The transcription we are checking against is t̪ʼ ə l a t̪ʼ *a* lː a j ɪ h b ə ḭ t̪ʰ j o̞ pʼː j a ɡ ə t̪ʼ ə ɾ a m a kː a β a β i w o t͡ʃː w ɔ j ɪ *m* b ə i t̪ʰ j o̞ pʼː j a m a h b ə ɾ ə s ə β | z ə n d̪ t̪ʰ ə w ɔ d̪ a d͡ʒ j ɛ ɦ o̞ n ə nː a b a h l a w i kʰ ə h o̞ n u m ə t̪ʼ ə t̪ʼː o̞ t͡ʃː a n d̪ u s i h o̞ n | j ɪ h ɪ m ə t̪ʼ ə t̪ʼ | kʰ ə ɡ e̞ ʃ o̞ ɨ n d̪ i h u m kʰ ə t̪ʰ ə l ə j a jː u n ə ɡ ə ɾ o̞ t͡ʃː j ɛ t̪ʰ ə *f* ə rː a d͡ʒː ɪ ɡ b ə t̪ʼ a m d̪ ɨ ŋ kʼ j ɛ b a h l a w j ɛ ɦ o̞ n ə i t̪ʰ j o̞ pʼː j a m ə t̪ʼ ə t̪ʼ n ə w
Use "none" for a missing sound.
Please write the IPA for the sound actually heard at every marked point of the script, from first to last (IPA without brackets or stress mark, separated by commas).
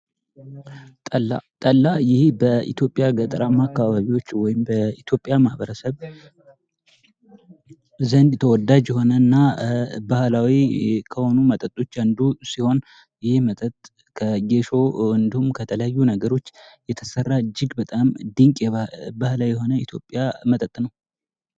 ə, m, s